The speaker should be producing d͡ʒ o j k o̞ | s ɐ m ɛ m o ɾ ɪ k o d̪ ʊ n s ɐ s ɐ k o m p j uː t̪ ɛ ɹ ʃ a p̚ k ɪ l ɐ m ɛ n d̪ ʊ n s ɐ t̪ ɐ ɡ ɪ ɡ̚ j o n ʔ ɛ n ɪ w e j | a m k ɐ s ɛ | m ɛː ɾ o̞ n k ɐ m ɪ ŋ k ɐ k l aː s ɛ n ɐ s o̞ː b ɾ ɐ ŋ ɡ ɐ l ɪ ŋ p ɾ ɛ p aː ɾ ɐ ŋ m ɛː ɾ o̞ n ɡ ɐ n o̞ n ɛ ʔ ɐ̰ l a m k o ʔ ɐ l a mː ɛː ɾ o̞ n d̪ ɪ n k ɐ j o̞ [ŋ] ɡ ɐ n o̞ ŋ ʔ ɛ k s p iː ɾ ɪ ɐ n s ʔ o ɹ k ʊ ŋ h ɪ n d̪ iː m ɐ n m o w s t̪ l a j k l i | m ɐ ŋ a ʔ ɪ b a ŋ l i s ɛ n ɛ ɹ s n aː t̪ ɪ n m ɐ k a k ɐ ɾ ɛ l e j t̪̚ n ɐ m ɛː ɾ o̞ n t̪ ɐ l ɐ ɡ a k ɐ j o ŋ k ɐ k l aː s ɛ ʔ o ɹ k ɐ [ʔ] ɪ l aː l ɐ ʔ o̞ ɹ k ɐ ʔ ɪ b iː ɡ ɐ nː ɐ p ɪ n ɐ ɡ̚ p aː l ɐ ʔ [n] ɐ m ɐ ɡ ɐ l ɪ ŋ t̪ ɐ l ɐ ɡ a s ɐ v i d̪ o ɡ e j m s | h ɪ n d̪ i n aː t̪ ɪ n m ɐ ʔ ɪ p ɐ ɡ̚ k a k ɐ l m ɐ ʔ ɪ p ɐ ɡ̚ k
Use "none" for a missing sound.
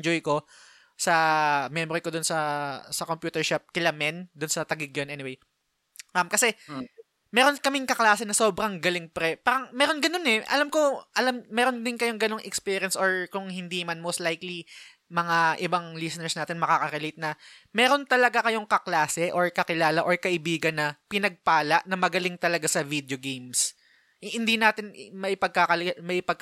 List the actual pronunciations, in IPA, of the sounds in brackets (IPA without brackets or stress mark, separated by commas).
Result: ŋ, k, n